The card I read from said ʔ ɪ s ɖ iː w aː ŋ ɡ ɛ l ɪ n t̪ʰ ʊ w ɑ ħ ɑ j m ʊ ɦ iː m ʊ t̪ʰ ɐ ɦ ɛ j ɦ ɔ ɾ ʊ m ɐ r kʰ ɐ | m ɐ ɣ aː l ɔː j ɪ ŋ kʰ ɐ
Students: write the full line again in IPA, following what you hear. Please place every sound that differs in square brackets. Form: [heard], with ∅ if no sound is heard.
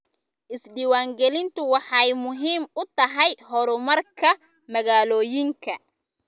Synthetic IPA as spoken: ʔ ɪ s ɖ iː w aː ŋ ɡ ɛ l ɪ n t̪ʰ ʊ w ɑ ħ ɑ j m ʊ ɦ iː m ʊ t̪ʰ ɐ ɦ ɛ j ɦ ɔ ɾ ʊ m ɐ r kʰ ɐ | m ɐ ɣ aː l ɔː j ɪ ŋ kʰ ɐ